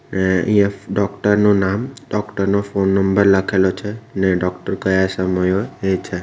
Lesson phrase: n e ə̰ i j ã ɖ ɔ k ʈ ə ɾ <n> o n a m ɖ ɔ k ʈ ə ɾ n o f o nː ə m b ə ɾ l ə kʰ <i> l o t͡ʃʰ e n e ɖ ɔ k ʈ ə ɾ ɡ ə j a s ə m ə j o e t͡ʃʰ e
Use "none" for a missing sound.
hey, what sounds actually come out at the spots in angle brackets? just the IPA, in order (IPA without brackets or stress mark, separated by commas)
n, e